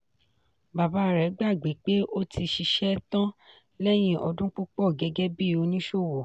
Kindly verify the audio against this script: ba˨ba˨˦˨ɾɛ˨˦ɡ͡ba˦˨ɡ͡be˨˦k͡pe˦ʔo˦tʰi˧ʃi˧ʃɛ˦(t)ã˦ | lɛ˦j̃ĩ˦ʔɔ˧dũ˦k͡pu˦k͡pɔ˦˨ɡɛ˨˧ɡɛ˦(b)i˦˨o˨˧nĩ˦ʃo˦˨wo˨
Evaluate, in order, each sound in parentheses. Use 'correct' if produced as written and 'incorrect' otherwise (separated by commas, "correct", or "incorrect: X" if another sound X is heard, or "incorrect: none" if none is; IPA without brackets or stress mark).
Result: correct, correct